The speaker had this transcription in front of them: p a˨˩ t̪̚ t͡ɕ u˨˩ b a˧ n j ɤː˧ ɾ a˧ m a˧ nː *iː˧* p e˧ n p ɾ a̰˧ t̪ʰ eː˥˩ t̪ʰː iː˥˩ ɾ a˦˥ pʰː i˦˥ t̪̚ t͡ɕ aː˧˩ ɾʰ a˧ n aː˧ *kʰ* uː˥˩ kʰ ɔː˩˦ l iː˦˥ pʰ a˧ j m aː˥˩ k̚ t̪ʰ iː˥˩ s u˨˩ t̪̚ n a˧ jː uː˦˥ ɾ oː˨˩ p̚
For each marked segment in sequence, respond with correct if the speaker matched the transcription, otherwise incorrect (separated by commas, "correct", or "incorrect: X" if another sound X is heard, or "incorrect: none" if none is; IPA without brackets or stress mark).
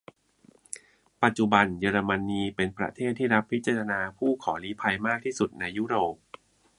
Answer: correct, incorrect: pʰ